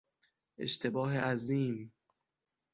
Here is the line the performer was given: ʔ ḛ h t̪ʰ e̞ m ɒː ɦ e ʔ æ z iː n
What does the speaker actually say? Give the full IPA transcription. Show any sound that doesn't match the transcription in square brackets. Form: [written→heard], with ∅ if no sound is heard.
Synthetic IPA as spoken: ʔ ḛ [h→ʃ] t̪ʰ e̞ [m→b] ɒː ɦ e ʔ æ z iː [n→m]